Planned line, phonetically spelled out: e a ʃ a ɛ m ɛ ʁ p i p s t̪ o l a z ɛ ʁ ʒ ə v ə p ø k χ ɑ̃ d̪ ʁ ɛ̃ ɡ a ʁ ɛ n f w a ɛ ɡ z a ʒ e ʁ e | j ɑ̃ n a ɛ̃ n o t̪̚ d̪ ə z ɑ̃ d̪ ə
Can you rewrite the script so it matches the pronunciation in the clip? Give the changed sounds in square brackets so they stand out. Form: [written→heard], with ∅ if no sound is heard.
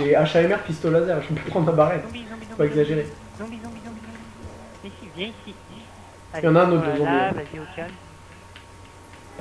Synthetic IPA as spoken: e a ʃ a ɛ m ɛ ʁ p i [p→∅] s t̪ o l a z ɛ ʁ ʒ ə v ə p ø [k→p] χ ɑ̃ d̪ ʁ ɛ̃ [ɡ→b] a ʁ ɛ n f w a ɛ ɡ z a ʒ e ʁ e | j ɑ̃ n a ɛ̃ n o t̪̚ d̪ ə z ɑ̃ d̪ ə